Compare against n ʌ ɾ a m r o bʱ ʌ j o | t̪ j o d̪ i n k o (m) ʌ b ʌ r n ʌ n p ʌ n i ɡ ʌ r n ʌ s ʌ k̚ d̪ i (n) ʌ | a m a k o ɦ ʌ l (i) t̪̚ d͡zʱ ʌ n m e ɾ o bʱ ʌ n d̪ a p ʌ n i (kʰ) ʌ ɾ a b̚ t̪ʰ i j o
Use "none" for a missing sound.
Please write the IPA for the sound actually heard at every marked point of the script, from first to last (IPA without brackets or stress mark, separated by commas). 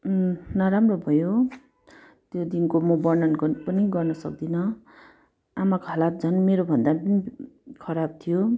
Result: m, n, a, kʰ